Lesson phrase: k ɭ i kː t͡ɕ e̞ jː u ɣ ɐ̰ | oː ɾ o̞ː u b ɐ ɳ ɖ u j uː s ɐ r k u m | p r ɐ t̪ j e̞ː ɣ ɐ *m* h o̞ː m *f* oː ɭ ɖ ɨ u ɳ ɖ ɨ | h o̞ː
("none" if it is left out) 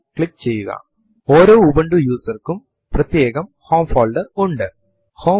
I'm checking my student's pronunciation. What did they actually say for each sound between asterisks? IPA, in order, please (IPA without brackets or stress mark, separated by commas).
m, f